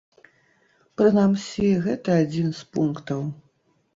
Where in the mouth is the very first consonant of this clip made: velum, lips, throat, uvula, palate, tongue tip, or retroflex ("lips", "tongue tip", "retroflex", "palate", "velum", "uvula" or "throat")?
lips